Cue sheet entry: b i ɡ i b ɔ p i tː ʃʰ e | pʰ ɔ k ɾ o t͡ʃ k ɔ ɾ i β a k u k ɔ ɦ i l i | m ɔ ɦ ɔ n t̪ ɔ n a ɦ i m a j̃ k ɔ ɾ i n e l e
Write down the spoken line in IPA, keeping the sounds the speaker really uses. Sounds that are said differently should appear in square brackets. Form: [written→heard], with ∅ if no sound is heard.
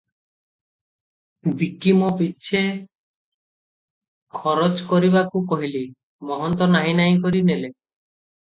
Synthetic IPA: b i [ɡ→k] i [b→m] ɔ p i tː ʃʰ e | [pʰ→kʰ] ɔ [k→∅] ɾ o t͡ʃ k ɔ ɾ i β a k u k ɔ ɦ i l i | m ɔ ɦ ɔ n t̪ ɔ n a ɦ i [m→n] a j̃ k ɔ ɾ i n e l e